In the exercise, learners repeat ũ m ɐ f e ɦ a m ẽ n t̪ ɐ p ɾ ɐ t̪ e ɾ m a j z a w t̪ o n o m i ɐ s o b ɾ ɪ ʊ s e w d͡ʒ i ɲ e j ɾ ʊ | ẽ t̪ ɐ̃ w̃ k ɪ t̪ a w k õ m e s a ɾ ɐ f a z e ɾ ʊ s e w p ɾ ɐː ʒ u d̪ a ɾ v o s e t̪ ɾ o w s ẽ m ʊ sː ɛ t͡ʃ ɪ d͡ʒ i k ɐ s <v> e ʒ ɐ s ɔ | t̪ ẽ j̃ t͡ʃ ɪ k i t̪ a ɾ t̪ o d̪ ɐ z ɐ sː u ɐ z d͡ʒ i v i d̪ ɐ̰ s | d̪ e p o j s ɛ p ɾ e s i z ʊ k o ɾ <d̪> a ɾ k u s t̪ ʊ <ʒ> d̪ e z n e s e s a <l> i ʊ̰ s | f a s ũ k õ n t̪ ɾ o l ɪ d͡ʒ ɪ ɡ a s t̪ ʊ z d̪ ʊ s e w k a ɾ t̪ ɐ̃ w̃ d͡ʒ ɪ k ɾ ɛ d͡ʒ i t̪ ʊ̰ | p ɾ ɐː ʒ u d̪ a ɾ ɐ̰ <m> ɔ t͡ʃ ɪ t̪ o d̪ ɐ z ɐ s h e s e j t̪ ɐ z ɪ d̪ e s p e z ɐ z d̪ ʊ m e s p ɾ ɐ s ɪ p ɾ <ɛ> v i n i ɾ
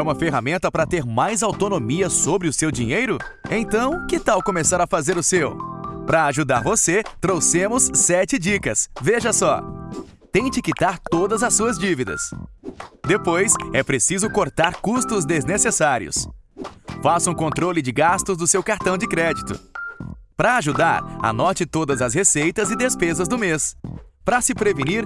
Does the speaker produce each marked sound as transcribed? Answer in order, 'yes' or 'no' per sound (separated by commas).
yes, no, no, no, no, no